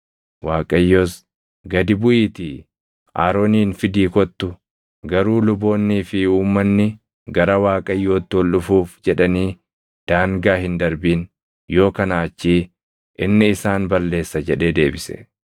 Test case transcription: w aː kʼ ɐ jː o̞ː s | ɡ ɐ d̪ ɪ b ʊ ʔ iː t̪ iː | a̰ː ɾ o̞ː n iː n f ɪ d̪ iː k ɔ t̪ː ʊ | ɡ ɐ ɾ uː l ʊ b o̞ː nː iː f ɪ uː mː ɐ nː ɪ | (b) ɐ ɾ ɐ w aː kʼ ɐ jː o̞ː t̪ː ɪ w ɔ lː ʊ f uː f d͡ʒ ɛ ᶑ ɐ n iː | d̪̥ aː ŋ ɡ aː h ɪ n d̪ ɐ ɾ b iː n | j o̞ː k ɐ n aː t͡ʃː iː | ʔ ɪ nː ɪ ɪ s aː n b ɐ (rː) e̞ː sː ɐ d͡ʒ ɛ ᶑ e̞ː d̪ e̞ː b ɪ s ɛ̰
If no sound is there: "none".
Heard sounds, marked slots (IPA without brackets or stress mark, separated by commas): ɡ, lː